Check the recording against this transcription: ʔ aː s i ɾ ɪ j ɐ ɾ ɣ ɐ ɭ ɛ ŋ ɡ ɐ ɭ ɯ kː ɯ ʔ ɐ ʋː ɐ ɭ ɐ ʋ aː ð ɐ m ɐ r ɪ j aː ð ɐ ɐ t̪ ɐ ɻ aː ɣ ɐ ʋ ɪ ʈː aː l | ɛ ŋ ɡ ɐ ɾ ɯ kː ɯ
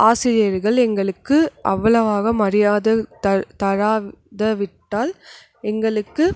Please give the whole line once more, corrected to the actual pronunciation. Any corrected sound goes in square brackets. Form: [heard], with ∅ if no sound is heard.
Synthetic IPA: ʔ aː s [ɪ] ɾ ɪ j ɐ ɾ ɣ ɐ ɭ ɛ ŋ ɡ ɐ ɭ ɯ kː ɯ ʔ ɐ ʋː ɐ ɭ ɐ ʋ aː [ɣ] ɐ m ɐ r ɪ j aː ð ɐ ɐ t̪ ɐ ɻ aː [ð] ɐ ʋ ɪ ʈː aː l | ɛ ŋ ɡ ɐ [ɭ] ɯ kː ɯ